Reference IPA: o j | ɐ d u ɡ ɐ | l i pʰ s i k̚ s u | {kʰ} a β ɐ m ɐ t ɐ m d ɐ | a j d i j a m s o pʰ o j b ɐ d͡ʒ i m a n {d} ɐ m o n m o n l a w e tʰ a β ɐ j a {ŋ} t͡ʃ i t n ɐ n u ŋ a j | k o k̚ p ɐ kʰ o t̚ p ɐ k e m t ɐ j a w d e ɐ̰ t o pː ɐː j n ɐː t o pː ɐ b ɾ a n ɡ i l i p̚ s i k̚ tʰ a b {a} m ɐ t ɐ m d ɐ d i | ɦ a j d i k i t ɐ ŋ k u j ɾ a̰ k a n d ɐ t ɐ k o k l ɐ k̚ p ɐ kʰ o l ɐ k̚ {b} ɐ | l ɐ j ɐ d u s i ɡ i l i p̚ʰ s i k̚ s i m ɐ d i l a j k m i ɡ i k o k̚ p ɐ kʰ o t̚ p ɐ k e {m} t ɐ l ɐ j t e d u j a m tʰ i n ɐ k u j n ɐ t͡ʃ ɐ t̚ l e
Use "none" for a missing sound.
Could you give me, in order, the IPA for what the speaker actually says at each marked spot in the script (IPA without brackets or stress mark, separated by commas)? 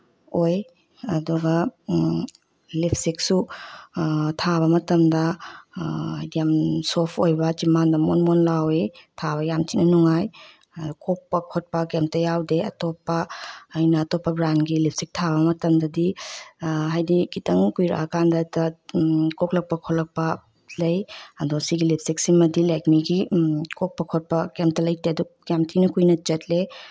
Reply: tʰ, d, m, ɐ, p, m